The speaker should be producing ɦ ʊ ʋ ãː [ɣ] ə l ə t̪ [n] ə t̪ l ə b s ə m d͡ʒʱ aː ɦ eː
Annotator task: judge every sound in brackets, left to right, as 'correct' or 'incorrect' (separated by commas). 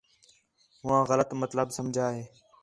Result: correct, incorrect